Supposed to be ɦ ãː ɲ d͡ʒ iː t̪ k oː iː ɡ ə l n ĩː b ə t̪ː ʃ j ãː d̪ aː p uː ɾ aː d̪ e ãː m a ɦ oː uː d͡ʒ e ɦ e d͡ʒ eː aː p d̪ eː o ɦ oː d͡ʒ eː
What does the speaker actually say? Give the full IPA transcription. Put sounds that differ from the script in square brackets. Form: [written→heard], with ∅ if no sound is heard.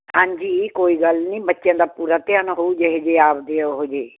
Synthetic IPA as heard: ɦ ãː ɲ d͡ʒ iː [t̪→∅] k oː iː ɡ ə l n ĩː b ə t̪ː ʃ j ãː d̪ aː p uː ɾ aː [d̪→t̪] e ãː [m→n] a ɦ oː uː d͡ʒ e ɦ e d͡ʒ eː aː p d̪ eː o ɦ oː d͡ʒ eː